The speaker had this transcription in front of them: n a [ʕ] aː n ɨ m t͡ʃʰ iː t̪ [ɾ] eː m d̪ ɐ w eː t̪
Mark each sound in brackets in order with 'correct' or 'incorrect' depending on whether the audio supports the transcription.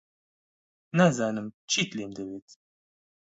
incorrect, incorrect

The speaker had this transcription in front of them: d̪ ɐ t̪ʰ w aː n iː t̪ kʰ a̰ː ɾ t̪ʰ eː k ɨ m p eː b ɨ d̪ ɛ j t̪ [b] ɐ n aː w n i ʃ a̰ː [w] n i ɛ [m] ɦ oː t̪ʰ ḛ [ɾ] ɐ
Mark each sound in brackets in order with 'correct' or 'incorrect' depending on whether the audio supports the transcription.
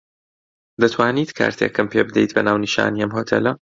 correct, incorrect, correct, incorrect

